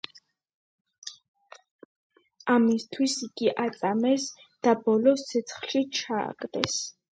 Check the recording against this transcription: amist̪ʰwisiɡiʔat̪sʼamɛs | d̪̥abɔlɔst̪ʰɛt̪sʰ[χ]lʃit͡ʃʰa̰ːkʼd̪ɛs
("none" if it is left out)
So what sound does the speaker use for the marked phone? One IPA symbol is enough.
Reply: χ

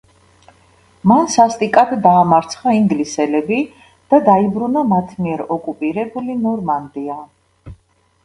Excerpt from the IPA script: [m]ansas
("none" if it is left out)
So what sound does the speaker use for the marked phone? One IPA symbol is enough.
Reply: m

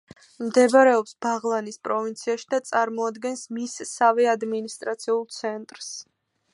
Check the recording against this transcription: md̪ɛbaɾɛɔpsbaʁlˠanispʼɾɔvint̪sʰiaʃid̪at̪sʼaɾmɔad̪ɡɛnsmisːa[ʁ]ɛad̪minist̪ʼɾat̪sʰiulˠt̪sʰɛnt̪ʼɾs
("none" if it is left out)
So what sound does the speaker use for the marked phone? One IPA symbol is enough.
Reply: v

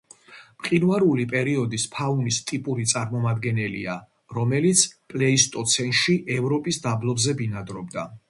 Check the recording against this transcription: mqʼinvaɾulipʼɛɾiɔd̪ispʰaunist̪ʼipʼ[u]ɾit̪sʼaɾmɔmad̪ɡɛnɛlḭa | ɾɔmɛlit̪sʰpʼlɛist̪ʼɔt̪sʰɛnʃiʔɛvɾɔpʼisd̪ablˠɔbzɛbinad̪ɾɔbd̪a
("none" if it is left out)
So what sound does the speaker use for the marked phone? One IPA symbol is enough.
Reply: u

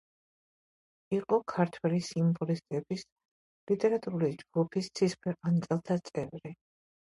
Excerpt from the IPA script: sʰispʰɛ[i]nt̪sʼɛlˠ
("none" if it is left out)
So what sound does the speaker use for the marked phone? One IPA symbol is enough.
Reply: a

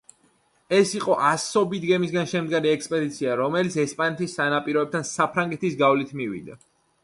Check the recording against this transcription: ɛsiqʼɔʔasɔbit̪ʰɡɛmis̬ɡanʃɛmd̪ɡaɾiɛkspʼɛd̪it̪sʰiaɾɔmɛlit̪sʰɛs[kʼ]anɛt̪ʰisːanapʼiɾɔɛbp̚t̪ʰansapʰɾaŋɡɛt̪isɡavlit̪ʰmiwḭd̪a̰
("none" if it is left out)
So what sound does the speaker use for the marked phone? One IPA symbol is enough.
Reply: pʼ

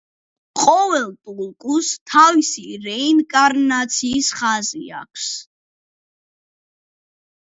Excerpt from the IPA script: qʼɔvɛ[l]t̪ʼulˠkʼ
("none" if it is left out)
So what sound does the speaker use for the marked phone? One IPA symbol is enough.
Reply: l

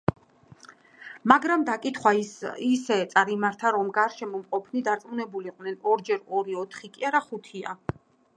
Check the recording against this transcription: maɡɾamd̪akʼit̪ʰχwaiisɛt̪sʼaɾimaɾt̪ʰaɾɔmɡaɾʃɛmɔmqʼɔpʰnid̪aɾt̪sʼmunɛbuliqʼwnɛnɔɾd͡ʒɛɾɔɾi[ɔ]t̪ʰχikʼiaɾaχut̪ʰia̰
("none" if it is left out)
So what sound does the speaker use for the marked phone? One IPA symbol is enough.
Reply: ɔ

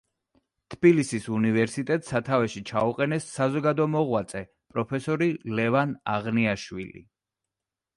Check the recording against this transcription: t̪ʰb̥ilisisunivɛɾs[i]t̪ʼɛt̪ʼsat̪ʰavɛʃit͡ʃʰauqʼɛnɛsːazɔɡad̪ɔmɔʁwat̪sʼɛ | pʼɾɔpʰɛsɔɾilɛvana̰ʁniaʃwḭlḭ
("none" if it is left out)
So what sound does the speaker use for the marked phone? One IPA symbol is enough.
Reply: i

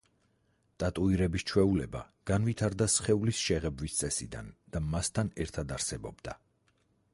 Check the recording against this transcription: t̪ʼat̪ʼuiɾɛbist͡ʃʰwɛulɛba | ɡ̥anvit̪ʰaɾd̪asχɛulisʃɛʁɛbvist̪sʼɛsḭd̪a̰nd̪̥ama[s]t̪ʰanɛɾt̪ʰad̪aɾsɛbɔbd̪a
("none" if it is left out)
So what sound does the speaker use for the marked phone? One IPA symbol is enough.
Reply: s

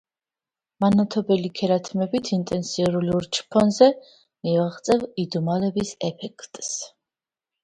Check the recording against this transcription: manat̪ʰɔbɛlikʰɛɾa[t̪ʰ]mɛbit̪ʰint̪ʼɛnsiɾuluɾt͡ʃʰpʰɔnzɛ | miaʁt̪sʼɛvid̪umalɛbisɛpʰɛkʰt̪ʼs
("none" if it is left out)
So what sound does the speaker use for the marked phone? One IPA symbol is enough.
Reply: t̪ʰ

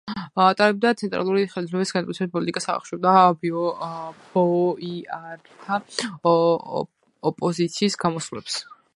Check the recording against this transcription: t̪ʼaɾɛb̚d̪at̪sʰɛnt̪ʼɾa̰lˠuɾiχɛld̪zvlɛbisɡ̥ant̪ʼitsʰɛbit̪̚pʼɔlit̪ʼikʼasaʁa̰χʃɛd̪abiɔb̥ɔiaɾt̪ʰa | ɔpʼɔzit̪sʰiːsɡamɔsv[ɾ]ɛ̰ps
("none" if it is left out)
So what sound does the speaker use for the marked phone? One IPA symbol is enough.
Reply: l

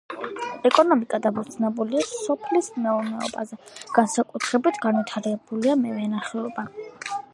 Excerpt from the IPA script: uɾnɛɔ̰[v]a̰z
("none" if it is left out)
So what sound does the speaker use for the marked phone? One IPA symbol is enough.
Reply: b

